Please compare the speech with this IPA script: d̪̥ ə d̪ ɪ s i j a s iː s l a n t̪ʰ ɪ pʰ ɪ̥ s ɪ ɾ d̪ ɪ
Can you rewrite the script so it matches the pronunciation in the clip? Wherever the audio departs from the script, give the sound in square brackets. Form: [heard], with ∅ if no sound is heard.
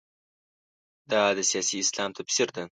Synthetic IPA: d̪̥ [a] d̪ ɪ s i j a s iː s l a [m] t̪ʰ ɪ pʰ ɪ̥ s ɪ ɾ d̪ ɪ